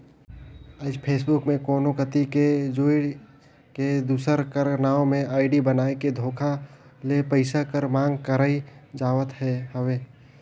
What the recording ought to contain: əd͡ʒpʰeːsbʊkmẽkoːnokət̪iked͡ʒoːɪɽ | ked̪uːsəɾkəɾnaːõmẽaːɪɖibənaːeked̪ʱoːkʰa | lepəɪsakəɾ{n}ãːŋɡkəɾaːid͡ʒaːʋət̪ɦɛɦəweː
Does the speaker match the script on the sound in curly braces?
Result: no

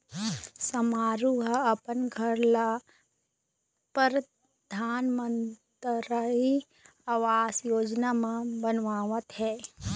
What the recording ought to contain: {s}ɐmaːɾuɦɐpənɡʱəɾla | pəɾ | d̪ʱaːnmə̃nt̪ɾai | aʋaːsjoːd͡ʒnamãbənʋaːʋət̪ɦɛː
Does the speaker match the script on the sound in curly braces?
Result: yes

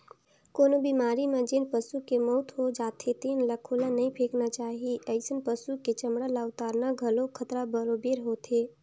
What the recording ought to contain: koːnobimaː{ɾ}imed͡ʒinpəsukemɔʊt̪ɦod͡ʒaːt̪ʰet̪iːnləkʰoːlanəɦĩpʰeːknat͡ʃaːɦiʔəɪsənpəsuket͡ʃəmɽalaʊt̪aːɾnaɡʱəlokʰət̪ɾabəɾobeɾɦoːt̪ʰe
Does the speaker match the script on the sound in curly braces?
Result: yes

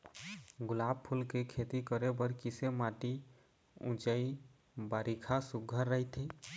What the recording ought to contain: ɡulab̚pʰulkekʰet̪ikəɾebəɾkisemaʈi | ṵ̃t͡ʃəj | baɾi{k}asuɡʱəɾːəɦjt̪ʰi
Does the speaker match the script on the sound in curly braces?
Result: no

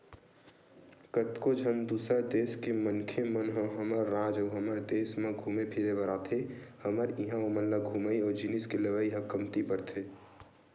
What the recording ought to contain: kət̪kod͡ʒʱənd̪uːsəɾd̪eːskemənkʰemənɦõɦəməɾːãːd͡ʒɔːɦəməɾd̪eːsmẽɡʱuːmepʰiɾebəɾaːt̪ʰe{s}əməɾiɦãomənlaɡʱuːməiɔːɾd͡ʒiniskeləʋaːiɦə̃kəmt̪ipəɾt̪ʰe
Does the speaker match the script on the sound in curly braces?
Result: no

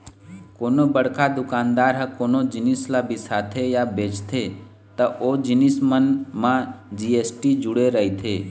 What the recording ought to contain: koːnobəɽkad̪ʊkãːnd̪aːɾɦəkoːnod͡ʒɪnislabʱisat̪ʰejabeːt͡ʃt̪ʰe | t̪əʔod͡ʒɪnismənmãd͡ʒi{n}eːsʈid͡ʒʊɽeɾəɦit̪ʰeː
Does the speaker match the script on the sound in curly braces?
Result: no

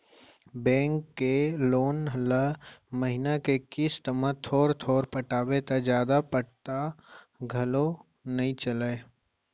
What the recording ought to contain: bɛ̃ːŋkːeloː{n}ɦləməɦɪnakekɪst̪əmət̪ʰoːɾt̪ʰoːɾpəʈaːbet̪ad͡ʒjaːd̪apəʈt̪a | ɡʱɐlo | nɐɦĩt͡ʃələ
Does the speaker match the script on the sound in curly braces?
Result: yes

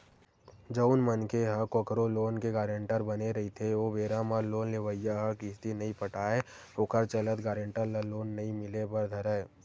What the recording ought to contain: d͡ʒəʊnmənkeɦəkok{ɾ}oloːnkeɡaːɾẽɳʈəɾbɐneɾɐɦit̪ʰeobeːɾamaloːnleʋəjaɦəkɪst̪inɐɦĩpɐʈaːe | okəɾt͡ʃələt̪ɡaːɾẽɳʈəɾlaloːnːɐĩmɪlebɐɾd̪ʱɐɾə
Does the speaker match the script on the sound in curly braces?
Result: yes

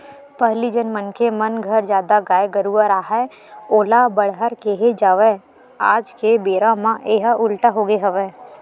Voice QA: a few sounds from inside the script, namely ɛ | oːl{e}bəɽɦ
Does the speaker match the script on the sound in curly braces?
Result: no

